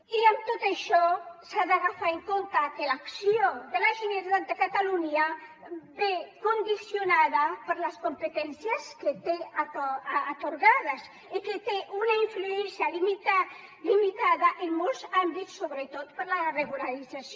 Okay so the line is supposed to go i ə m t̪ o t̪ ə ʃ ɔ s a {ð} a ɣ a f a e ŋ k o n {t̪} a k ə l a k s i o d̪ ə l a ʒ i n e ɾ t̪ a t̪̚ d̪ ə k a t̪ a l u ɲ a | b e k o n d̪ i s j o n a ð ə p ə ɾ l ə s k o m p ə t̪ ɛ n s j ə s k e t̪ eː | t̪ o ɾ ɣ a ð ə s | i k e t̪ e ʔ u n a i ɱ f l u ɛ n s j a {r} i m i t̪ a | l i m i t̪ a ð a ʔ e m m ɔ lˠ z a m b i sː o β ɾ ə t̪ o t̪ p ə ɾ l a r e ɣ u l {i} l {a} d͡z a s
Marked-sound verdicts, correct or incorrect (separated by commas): correct, correct, incorrect, incorrect, incorrect